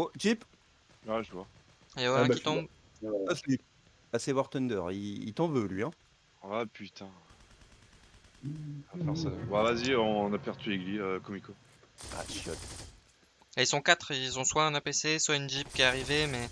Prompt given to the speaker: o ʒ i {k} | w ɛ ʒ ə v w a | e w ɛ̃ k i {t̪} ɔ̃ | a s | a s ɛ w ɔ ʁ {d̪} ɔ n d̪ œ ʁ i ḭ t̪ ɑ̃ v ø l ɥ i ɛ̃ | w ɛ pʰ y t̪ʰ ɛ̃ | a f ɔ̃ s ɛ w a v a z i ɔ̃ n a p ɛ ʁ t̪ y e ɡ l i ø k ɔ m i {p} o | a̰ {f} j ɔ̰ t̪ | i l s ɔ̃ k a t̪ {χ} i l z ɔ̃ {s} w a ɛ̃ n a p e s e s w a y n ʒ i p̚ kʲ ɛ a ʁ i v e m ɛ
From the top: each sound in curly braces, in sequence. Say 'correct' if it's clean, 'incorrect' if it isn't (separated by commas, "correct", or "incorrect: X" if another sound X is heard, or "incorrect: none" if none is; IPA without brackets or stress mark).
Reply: incorrect: p, correct, incorrect: t̪, incorrect: k, incorrect: ʃ, correct, correct